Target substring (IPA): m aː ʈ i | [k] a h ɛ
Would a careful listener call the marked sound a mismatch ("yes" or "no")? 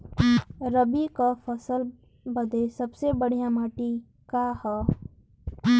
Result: no